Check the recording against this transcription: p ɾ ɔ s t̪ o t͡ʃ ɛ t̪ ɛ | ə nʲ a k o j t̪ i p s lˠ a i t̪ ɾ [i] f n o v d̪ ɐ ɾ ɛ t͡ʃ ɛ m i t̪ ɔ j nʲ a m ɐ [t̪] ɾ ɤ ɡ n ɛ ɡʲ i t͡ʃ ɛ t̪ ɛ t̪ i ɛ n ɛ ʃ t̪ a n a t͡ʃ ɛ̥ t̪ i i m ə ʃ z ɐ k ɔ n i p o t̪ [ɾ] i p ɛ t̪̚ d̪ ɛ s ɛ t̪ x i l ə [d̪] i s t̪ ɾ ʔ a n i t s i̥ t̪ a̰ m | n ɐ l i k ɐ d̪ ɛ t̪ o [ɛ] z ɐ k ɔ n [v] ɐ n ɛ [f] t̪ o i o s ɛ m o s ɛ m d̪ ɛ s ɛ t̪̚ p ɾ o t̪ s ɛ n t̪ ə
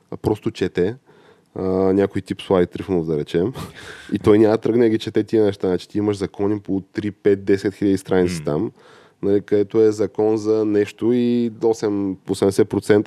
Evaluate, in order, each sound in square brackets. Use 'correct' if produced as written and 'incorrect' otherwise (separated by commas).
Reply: correct, correct, correct, correct, correct, incorrect, incorrect